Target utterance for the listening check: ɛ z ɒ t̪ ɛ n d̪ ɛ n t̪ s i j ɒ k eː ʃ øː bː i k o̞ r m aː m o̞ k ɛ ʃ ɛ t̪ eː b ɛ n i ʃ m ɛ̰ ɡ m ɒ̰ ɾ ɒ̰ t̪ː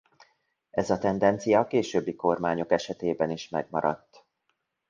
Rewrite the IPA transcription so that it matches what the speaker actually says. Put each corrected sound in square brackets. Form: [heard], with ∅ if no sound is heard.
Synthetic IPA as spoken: ɛ z ɒ t̪ ɛ n d̪ ɛ n t̪ s i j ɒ k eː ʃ øː bː i k o̞ r m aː [ɲ] o̞ k ɛ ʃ ɛ t̪ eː b ɛ n i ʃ m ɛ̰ ɡ m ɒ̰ ɾ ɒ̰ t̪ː